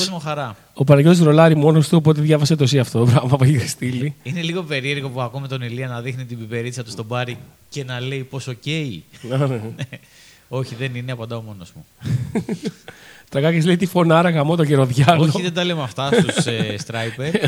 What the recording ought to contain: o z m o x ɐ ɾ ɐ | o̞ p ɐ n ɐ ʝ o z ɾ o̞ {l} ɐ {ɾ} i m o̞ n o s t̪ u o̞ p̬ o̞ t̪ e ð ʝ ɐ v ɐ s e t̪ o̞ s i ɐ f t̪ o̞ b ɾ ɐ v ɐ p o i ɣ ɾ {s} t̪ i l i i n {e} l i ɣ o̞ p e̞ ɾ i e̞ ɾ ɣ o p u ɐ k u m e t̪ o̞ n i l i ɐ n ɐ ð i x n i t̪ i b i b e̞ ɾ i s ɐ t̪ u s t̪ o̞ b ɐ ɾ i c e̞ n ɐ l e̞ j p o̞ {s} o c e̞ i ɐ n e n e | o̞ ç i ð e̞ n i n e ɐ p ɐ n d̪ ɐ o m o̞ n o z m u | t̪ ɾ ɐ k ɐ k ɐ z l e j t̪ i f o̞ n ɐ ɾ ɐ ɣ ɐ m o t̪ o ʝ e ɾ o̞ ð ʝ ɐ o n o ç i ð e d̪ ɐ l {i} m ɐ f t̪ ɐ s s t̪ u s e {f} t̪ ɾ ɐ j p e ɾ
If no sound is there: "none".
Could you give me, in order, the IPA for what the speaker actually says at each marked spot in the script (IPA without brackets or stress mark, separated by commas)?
l, ɾ, s, e, s, e, s